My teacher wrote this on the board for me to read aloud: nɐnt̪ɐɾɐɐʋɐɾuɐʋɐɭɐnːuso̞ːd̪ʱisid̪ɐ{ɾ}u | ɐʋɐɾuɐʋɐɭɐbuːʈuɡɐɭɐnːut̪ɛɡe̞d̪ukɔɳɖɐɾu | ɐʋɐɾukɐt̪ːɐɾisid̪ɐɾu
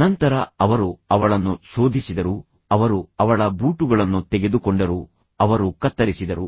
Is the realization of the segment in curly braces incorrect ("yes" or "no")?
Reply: no